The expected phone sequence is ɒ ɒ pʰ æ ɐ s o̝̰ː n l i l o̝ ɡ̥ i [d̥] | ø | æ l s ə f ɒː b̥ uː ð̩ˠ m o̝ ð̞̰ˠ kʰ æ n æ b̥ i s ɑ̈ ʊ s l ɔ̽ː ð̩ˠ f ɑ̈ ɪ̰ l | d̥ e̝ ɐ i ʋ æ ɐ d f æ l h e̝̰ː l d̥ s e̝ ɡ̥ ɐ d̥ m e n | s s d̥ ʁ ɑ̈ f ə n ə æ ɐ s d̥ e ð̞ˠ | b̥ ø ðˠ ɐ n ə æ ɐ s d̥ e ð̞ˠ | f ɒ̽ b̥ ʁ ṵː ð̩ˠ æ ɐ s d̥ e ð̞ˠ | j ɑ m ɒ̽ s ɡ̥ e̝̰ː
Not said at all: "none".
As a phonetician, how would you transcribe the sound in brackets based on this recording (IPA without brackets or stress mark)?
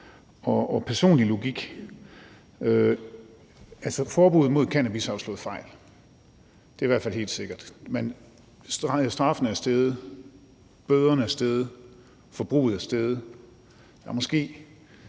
ɡ̥